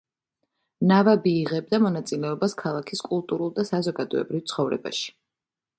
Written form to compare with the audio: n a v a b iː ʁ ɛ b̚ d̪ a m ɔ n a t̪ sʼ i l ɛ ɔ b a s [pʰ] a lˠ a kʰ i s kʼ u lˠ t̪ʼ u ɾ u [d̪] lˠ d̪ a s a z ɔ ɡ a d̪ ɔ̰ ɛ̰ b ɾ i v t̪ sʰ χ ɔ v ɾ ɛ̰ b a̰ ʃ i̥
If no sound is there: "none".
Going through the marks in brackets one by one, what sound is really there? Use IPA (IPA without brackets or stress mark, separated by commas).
kʰ, none